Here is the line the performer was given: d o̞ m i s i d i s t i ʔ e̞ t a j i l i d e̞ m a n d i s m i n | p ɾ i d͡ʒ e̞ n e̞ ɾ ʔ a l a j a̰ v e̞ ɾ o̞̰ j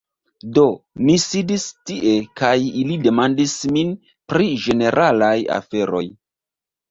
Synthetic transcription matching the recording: d o̞ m i s i d i s t i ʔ e̞ k a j i l i d e̞ m a n d i s m i n | p ɾ i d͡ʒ e̞ n e̞ ɾ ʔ a l a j a̰ f e̞ ɾ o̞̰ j